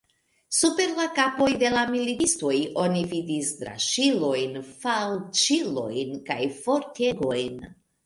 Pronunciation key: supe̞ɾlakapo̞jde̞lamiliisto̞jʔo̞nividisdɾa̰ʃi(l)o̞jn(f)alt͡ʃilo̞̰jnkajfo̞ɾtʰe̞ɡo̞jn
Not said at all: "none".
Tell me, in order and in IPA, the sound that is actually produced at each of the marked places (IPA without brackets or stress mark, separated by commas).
l, f